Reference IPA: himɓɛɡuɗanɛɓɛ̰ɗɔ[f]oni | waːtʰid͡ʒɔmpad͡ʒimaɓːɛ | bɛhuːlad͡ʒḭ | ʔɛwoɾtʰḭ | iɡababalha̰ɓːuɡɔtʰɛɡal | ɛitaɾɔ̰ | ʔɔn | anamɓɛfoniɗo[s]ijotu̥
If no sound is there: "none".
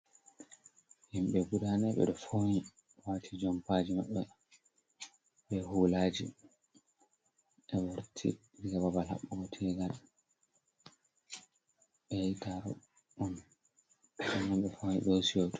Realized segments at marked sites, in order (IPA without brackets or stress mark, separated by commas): f, s